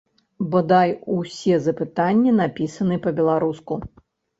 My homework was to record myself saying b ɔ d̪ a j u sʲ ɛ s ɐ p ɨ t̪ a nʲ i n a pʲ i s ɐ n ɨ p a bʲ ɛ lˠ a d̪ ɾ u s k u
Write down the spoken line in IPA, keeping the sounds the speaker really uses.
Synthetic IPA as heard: b ɔ d̪ a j u sʲ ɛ z ɐ p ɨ t̪ a nʲː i n a pʲ i s ɐ n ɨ p ɐ bʲ ɛ lˠ a ɾ u s k u